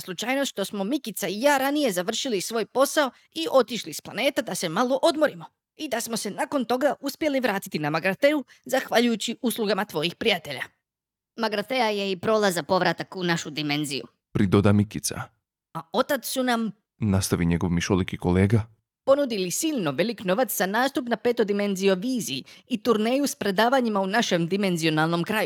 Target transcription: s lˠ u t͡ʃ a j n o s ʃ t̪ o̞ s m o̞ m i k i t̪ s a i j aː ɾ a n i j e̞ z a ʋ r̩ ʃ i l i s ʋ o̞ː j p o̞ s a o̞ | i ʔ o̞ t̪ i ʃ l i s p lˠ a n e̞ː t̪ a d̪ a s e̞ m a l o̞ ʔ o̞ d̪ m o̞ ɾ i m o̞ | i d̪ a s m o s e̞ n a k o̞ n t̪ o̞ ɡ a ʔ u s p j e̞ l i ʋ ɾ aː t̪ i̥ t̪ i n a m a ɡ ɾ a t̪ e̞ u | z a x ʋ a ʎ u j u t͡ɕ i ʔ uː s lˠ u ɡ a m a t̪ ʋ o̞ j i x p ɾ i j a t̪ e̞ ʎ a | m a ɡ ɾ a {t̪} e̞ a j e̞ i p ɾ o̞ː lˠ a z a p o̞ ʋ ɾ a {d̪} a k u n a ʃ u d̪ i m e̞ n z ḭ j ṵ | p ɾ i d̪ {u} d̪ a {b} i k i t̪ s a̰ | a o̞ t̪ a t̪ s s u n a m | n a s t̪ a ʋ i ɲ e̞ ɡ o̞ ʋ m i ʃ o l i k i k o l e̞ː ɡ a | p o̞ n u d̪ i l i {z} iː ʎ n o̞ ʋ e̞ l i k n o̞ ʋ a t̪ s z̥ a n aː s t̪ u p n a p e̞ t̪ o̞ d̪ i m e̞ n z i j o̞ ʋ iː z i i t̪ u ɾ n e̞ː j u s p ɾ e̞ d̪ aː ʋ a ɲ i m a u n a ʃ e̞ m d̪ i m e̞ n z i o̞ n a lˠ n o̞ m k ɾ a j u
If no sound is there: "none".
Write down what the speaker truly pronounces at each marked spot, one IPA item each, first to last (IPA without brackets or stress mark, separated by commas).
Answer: t̪, t̪, o, m, s